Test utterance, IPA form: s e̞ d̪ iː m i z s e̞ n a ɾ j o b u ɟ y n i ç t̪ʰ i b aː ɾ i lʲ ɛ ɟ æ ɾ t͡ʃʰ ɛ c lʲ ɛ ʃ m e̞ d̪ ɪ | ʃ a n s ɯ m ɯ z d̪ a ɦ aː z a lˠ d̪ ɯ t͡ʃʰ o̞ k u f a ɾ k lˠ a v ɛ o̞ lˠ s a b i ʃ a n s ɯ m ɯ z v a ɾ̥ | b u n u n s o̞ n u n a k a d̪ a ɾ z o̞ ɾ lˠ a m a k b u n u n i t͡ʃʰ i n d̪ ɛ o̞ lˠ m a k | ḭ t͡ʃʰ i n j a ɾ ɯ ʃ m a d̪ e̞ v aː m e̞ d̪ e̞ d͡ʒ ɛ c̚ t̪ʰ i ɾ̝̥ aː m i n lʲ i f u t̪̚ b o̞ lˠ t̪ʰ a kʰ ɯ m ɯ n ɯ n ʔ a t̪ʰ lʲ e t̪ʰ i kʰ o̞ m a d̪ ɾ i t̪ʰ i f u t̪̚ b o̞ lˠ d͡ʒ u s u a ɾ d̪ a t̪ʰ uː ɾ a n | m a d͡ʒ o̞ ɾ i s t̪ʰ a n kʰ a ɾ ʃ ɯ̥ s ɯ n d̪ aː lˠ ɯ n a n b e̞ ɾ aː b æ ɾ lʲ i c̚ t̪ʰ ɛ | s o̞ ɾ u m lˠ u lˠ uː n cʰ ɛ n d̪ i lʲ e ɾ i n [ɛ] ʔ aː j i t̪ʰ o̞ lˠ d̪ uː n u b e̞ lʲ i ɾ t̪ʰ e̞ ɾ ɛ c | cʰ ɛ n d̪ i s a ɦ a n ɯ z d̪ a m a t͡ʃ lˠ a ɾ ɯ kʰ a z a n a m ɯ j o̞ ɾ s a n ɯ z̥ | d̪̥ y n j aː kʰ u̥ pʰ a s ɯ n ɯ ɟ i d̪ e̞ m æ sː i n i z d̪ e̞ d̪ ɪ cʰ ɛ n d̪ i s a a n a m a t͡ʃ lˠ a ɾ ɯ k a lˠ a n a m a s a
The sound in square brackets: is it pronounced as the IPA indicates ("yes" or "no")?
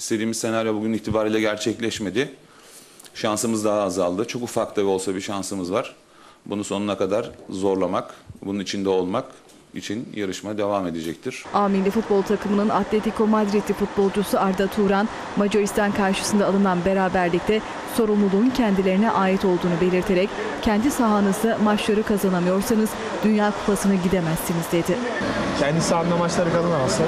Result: yes